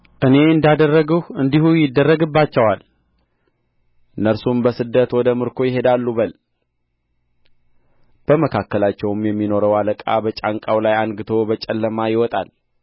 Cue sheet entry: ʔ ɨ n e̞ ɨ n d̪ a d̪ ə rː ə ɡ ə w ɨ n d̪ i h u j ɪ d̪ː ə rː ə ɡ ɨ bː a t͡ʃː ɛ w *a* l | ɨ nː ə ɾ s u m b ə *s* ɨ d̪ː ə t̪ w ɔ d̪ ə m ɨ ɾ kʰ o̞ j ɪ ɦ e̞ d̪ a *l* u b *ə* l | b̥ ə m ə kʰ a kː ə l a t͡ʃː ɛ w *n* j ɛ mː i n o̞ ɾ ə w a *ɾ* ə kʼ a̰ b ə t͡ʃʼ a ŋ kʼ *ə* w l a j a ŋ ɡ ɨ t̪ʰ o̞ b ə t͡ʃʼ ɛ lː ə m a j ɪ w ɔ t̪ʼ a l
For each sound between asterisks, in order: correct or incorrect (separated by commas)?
correct, correct, incorrect, correct, incorrect, incorrect, incorrect